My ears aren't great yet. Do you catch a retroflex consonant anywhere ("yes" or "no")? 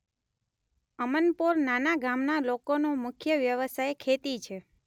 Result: no